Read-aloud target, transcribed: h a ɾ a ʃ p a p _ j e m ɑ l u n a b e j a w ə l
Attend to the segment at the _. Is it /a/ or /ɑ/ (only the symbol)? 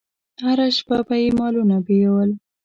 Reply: a